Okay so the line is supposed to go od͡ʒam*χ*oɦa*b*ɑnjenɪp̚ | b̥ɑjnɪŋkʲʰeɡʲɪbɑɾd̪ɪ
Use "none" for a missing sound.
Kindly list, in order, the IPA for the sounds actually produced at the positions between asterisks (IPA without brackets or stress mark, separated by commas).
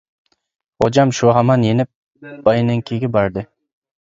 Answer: ʃ, m